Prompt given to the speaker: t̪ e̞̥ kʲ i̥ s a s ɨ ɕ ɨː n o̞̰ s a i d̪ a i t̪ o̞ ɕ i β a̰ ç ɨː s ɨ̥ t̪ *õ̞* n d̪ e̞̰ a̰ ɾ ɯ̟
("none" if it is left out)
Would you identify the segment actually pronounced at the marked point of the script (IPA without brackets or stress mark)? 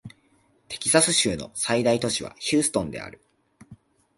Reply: õ̞